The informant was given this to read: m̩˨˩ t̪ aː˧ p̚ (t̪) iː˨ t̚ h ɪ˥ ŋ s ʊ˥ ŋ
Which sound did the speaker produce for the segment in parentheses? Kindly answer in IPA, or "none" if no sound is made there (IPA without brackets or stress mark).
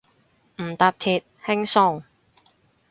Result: t̪ʰ